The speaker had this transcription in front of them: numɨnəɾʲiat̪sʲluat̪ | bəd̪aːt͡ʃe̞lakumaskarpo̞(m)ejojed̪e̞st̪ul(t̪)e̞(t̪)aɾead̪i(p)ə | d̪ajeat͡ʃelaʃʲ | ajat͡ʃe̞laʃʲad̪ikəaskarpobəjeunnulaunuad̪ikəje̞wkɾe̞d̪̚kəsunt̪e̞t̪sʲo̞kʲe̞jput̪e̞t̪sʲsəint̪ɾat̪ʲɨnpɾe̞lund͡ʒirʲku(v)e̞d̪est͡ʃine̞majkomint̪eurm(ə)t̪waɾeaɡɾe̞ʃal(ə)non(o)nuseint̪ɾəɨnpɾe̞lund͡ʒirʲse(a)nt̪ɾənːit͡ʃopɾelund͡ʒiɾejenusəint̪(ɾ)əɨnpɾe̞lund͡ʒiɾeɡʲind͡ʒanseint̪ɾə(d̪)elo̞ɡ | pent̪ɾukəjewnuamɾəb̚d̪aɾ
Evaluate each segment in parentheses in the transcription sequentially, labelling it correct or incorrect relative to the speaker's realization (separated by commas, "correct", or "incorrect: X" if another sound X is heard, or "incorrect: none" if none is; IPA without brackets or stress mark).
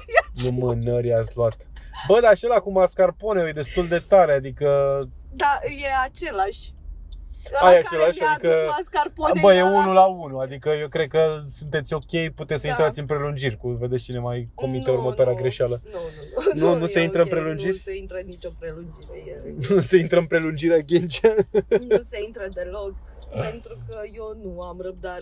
incorrect: n, incorrect: d̪, correct, incorrect: k, correct, correct, correct, incorrect: u, incorrect: i, correct, correct